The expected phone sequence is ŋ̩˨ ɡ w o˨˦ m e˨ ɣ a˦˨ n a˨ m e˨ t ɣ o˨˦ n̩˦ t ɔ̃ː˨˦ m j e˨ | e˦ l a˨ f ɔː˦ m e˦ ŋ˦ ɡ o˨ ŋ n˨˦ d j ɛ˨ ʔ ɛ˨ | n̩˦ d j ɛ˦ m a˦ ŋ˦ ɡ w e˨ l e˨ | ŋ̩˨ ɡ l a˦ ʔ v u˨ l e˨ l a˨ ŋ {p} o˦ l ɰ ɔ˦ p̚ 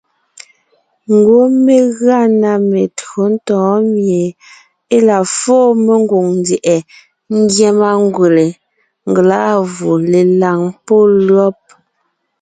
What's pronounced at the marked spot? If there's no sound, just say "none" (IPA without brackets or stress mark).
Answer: p